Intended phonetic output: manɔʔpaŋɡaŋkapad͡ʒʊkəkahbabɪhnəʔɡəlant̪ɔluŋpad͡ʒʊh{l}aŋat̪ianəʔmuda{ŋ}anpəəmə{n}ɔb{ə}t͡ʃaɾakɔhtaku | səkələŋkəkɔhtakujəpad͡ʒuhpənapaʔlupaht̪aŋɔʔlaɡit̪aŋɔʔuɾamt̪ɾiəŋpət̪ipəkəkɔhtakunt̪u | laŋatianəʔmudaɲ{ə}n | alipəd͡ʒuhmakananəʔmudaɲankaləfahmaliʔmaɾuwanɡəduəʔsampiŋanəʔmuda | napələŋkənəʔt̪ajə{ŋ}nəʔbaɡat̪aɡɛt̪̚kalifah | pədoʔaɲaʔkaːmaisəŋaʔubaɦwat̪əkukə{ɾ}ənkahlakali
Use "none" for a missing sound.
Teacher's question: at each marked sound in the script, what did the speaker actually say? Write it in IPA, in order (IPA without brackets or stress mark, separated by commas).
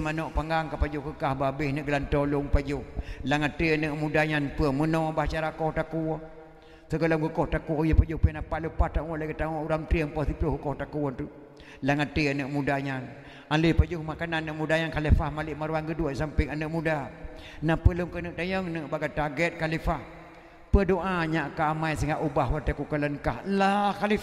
l, ɲ, n, a, a, ŋ, l